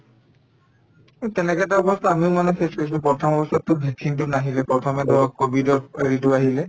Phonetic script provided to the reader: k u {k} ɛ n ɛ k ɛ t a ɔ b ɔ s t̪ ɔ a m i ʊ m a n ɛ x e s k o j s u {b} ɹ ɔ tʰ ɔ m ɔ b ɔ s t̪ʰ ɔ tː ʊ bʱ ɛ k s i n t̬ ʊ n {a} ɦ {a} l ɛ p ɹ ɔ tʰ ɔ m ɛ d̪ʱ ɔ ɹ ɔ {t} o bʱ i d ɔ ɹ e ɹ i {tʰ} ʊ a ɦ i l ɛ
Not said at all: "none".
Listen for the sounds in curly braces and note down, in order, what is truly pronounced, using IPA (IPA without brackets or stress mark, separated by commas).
t, p, a, i, k, t